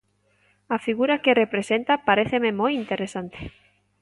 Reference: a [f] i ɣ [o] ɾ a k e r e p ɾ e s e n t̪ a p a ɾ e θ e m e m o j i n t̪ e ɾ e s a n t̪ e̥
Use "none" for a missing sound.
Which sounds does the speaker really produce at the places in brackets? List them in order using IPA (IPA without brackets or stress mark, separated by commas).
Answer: f, u